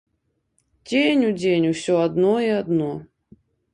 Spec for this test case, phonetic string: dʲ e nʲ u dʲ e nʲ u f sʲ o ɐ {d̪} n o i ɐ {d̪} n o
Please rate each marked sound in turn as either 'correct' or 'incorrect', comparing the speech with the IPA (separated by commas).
correct, correct